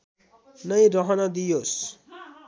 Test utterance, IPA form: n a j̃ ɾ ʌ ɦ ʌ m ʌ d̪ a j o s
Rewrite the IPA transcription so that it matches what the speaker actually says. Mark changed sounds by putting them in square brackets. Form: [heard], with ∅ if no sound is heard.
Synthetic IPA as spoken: n [ʌ] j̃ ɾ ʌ ɦ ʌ [n] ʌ d̪ [i] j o s

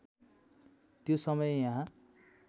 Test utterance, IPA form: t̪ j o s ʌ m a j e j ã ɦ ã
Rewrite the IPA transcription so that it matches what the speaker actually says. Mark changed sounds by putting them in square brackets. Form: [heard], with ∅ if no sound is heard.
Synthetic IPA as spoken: t̪ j o s ʌ m [ʌ] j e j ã ɦ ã

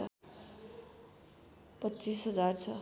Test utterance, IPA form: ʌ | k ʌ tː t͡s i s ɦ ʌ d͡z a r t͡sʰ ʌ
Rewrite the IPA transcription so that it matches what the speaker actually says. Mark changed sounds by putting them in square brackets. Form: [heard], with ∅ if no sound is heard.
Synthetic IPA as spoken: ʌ | [p] ʌ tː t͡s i s ɦ ʌ d͡z a r t͡sʰ ʌ

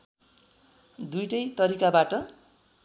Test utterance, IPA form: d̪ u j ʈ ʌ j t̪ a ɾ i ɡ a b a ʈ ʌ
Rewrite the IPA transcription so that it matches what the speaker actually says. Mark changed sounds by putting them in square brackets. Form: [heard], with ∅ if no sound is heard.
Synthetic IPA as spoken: d̪ u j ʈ ʌ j t̪ [ʌ] ɾ i [k] a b a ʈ ʌ

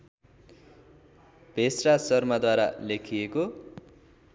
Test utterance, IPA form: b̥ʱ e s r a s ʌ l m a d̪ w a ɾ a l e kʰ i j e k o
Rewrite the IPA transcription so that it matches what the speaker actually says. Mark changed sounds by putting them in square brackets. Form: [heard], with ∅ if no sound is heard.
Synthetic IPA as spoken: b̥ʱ e s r a s ʌ [r] m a d̪ w a ɾ a l e kʰ i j e k o

